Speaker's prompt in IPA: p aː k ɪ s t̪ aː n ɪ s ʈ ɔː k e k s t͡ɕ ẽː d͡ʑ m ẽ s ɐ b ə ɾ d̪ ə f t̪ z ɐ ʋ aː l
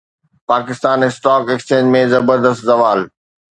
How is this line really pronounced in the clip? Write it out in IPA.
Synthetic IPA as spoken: p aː k ɪ s t̪ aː n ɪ s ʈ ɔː k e k s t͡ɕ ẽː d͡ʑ m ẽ z ɐ b ə ɾ d̪ ə s t̪ z ɐ ʋ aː l